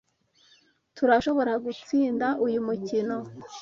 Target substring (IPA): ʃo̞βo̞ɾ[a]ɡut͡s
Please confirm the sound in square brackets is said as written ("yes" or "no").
yes